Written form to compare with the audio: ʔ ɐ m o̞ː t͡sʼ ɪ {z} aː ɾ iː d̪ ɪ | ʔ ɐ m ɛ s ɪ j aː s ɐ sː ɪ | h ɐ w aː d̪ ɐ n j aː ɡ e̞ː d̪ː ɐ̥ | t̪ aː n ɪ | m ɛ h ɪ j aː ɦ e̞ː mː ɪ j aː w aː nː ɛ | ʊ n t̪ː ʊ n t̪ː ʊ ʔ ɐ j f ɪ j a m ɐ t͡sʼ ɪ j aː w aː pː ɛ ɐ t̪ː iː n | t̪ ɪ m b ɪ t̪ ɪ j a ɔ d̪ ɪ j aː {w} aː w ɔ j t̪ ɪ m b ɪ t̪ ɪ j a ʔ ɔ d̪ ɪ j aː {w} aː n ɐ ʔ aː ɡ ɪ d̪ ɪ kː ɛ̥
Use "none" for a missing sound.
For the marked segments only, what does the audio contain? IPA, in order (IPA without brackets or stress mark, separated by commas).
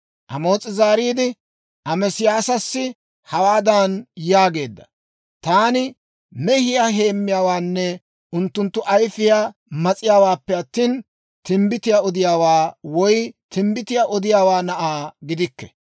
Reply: z, w, w